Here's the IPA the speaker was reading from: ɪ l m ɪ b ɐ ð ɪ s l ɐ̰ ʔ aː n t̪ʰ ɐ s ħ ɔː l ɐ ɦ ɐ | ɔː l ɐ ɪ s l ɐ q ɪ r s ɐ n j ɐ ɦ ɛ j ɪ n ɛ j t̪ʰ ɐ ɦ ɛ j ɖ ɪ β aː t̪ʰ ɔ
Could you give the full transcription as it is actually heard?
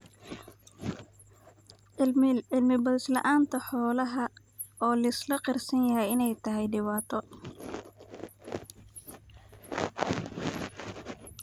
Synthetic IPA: ɪ l m ɪ b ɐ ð ɪ s l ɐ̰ ʔ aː n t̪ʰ ɐ ħ ɔː l ɐ ɦ ɐ | ɔː l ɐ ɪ s l ɐ q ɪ r s ɐ n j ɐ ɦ ɛ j ɪ n ɛ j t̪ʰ ɐ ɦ ɛ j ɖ ɪ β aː t̪ʰ ɔ

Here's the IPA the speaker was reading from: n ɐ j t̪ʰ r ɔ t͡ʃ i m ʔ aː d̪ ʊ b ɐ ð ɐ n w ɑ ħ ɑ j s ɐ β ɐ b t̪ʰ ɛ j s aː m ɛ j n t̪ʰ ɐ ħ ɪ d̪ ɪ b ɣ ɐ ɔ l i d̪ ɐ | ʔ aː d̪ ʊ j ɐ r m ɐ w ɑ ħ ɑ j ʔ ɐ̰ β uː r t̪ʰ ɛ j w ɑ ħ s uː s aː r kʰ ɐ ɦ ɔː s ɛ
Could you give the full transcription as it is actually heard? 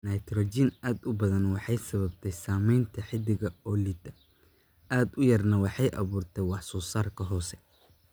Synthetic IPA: n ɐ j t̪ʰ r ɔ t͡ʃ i n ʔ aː d̪ ʊ b ɐ ð ɐ n w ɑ ħ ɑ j s ɐ β ɐ b t̪ʰ ɛ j s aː m ɛ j n t̪ʰ ɐ ħ ɪ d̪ ɪ ɣ ɐ ɔ l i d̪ ɐ | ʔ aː d̪ ʊ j ɐ r n ɐ w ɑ ħ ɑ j ʔ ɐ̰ β uː r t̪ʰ ɛ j w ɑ ħ s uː s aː r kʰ ɐ ɦ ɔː s ɛ

